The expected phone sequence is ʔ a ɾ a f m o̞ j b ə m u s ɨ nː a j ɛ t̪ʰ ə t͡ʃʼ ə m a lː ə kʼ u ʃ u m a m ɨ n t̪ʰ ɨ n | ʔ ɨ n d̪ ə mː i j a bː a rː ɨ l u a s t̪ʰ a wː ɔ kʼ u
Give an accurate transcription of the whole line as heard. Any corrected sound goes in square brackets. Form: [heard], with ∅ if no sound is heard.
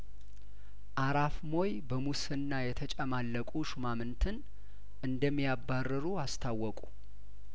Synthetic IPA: ʔ a ɾ a f m o̞ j b ə m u s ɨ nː a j ɛ t̪ʰ ə t͡ʃʼ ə m a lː ə kʼ u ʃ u m a m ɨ n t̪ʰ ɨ n | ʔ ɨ n d̪ ə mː i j a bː a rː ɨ [ɾ] u a s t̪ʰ a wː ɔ kʼ u